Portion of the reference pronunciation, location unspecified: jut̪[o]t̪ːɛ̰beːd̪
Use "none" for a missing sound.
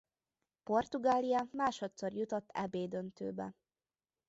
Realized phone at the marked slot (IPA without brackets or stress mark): o